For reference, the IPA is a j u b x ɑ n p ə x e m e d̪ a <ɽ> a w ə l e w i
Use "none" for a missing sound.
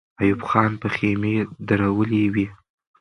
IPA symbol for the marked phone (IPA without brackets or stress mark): ɾ